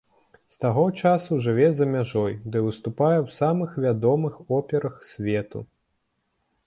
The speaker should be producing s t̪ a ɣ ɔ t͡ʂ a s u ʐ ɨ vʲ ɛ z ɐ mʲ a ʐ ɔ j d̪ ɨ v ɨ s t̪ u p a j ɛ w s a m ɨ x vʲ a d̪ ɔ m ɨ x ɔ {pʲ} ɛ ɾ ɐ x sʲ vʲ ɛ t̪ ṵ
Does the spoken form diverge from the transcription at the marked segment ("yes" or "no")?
no